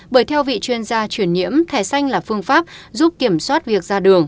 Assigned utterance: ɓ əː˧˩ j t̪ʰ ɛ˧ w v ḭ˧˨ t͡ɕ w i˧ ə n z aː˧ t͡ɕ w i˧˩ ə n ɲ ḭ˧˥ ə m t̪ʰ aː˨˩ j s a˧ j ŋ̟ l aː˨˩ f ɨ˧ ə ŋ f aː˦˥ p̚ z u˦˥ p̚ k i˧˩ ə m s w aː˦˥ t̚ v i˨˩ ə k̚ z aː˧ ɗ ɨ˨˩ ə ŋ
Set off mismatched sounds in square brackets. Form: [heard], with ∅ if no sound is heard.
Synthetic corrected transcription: ɓ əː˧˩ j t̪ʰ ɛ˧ w v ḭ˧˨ t͡ɕ w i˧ ə n z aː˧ t͡ɕ w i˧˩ ə n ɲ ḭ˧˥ ə m t̪ʰ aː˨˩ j s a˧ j ŋ̟ l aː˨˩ f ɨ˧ ə ŋ f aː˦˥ p̚ z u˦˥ p̚ k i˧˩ ə m s w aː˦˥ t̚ v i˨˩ ə k̚ z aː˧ ɗ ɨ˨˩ ə ŋ